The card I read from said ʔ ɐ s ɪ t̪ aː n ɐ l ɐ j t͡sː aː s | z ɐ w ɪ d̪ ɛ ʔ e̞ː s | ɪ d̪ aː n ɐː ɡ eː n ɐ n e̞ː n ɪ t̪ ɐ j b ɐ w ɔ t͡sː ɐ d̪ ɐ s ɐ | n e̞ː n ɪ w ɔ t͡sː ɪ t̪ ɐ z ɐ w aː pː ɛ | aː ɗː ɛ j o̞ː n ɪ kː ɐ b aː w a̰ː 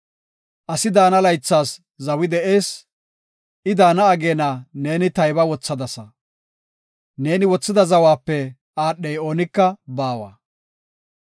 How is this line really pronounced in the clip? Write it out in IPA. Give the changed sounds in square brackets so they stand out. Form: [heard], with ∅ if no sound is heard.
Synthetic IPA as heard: ʔ ɐ s ɪ [d̪] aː n ɐ l ɐ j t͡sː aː s | z ɐ w ɪ d̪ ɛ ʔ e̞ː s | ɪ d̪ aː n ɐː ɡ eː n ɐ n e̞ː n ɪ t̪ ɐ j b ɐ w ɔ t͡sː ɐ d̪ ɐ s ɐ | n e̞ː n ɪ w ɔ t͡sː ɪ [d̪] ɐ z ɐ w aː pː ɛ | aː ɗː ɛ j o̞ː n ɪ kː ɐ b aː w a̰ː